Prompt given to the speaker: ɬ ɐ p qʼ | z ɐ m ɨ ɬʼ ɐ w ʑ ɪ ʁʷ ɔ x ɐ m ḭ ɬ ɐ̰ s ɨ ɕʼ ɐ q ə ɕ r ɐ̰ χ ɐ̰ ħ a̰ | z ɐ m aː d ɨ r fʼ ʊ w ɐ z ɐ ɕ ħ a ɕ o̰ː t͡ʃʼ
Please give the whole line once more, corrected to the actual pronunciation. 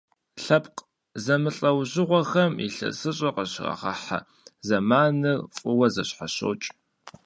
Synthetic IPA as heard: ɬ ɐ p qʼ | z ɐ m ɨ ɬʼ ɐ w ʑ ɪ ʁʷ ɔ x ɐ m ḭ ɬ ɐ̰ s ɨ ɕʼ ɐ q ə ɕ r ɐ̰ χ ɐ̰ ħ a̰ | z ɐ m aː n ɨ r fʼ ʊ w ɐ z ɐ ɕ ħ a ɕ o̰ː t͡ʃʼ